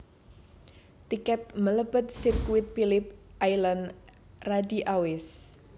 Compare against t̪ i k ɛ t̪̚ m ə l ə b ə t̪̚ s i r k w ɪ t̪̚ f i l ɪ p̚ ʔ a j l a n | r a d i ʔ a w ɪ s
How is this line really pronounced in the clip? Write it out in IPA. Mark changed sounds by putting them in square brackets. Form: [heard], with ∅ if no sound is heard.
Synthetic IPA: t̪ i k ɛ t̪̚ m ə l ə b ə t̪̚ s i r k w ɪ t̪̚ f i l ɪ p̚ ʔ a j l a n | r a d i ʔ a w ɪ s